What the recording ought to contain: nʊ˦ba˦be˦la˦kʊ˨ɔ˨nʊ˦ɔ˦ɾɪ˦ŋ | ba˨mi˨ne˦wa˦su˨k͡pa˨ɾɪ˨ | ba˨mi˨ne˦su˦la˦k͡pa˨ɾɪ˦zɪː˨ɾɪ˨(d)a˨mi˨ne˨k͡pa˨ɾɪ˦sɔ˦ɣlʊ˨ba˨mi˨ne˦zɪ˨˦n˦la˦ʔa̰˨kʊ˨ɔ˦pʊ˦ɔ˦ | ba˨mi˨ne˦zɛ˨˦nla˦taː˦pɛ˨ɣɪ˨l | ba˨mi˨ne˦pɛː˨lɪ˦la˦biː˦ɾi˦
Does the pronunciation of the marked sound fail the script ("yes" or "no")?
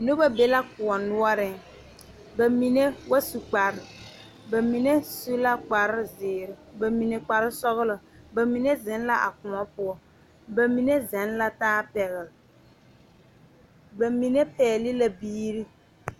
yes